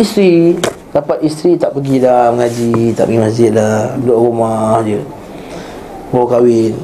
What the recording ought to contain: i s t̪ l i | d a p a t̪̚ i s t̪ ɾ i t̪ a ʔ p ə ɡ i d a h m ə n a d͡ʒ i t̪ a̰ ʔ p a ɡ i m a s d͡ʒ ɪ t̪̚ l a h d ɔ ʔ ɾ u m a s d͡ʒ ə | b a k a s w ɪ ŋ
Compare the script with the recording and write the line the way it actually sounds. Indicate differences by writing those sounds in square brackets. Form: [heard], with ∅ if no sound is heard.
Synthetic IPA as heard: i s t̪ [ɾ] i | d a p a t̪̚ i s t̪ ɾ i t̪ a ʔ p ə ɡ i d a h m ə [ŋ] a d͡ʒ i t̪ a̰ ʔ p [ə] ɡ i m a s d͡ʒ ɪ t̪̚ l a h d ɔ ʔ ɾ u m a [h] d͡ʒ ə | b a k a [∅] w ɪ [n]